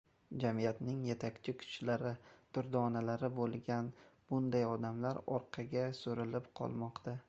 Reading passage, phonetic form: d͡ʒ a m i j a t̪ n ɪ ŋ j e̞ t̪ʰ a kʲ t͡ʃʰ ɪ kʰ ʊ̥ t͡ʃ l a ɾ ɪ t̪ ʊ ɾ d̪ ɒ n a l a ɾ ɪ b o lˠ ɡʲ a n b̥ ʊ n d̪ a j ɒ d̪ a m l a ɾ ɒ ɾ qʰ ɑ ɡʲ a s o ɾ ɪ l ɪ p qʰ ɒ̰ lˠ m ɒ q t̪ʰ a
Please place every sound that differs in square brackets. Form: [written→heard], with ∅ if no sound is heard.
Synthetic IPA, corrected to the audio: d͡ʒ a m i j a t̪ n ɪ ŋ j e̞ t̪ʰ a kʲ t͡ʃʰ ɪ kʰ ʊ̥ t͡ʃ l a ɾ ɪ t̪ ʊ ɾ d̪ ɒ n a l a ɾ ɪ b o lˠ ɡʲ a n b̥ ʊ n d̪ a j ɒ d̪ a m l a ɾ ɒ ɾ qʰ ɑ ɡʲ a s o ɾ ɪ l ɪ p qʰ ɒ̰ lˠ m ɒ q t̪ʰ a